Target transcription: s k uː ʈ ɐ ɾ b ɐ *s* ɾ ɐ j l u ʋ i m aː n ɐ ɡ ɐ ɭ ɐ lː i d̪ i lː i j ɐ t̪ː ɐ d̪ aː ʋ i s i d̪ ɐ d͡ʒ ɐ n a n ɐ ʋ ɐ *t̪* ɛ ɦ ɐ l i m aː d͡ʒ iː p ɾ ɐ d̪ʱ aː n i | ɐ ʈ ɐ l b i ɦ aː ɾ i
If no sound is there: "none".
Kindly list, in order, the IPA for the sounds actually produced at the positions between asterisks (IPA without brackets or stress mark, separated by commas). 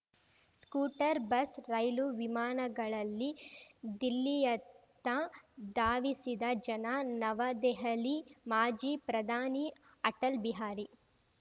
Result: s, d̪